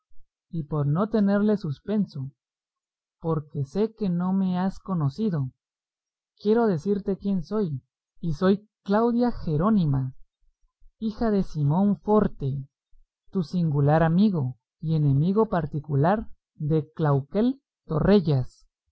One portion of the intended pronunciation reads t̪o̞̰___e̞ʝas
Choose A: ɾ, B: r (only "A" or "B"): B